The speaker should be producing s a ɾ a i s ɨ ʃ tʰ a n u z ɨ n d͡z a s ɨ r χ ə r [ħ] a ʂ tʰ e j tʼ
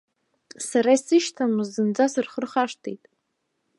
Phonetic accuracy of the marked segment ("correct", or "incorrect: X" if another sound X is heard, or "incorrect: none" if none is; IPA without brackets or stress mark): incorrect: χ